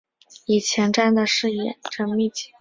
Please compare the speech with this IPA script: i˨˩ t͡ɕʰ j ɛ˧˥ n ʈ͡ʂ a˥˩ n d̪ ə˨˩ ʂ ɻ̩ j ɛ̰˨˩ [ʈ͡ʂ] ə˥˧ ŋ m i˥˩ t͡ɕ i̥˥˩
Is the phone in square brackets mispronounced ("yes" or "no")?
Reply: no